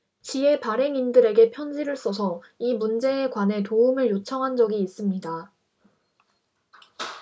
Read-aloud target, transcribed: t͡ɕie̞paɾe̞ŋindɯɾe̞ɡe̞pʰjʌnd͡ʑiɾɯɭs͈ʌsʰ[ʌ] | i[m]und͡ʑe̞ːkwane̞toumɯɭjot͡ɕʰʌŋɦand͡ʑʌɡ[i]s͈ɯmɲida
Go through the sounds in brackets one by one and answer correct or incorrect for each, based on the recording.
correct, correct, incorrect: iː

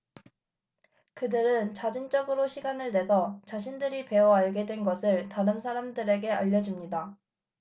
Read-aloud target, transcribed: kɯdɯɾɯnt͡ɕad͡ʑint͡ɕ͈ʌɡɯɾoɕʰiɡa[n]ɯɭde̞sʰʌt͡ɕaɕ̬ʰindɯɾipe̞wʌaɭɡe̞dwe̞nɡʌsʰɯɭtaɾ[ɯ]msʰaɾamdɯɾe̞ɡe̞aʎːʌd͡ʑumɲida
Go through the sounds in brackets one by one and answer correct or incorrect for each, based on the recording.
correct, correct

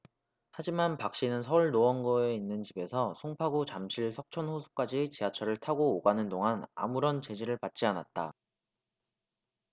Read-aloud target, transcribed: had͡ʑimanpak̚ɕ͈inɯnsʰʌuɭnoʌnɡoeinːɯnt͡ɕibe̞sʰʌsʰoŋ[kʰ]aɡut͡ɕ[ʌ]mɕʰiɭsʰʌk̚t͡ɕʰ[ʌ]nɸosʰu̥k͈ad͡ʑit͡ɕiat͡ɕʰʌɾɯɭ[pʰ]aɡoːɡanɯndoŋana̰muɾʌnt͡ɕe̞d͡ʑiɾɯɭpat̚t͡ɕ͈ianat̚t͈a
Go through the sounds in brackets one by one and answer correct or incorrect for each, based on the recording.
incorrect: pʰ, incorrect: a, correct, incorrect: tʰ

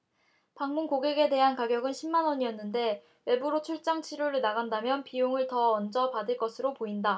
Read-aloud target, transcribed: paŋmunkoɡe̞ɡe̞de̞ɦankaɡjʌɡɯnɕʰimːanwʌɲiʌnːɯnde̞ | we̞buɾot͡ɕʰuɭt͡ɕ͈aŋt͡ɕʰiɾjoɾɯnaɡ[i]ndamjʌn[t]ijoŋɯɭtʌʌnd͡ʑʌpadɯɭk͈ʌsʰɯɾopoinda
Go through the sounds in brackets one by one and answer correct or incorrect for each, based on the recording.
incorrect: a, incorrect: p

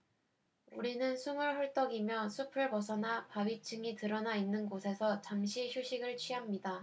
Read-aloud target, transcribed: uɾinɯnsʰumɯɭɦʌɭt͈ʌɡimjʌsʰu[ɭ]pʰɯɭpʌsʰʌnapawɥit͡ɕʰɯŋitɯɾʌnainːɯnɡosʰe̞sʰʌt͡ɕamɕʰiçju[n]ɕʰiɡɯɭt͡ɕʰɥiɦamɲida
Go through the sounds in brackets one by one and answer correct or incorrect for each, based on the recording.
incorrect: none, incorrect: none

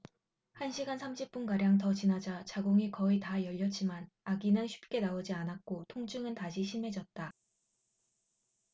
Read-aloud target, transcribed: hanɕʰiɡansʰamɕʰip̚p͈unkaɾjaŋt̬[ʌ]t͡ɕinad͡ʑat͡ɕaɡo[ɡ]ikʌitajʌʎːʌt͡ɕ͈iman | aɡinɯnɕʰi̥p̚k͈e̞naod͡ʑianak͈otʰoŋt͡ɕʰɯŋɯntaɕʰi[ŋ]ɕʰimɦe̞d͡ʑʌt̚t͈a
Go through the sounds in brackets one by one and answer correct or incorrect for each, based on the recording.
correct, incorrect: ŋ, incorrect: none

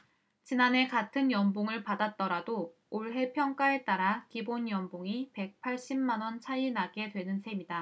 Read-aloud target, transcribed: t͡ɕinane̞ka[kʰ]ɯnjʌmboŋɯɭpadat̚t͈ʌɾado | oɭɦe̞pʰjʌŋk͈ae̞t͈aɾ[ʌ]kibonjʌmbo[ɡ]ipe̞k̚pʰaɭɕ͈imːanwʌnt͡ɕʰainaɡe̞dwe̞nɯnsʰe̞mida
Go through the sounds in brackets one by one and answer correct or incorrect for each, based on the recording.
incorrect: tʰ, incorrect: a, incorrect: ŋ

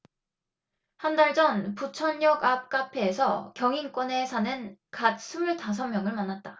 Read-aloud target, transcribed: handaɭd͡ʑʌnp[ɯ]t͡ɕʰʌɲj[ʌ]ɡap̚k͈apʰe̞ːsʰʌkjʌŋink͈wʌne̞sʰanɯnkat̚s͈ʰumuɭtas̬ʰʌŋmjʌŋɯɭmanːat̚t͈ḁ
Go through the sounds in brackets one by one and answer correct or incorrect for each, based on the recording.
incorrect: u, correct

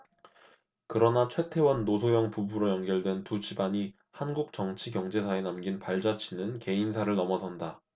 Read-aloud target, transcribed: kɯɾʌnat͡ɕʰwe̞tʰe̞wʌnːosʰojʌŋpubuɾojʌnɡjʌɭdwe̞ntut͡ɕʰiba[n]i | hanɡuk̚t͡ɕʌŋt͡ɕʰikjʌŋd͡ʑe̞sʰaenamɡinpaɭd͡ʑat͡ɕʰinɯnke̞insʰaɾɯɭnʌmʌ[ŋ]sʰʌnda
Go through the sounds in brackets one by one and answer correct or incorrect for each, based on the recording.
incorrect: ɲ, incorrect: none

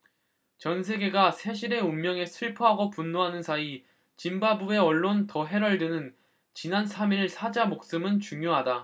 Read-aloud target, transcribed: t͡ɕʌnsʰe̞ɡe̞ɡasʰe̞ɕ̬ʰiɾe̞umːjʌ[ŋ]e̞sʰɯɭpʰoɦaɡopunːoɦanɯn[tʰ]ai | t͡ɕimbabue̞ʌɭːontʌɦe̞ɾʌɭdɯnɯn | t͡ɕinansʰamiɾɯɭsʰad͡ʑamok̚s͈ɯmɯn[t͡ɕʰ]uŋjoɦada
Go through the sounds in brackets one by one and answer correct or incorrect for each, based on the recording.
correct, incorrect: sʰ, incorrect: t͡ɕ

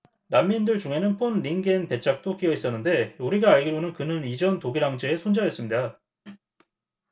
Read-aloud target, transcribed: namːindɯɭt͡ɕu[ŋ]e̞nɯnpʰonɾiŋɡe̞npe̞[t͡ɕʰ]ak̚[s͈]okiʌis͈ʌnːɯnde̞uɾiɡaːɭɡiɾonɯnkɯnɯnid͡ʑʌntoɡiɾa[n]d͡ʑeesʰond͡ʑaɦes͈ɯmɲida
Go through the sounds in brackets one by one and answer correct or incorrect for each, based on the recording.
correct, correct, incorrect: t͈, incorrect: ŋ

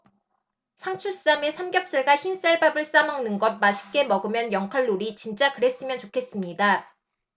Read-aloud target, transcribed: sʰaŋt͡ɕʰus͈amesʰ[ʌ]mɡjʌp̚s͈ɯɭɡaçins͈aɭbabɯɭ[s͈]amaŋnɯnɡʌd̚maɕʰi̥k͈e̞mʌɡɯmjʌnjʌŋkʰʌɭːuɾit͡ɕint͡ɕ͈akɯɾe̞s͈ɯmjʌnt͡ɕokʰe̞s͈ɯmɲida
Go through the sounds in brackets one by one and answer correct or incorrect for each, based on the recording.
incorrect: a, correct

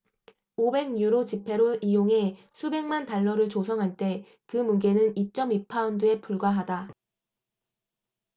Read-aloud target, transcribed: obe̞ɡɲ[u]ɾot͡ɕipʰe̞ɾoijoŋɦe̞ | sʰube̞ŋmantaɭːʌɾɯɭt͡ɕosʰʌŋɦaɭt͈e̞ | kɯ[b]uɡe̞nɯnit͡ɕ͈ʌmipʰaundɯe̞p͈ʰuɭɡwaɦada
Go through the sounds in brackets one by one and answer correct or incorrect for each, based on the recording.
correct, incorrect: m

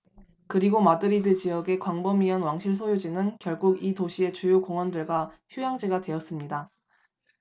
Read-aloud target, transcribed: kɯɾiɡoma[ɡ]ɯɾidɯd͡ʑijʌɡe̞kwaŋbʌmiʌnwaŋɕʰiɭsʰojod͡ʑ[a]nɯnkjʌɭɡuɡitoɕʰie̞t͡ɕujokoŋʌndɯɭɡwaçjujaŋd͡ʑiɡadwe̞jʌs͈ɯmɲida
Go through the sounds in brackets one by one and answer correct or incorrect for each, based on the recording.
incorrect: d, incorrect: i

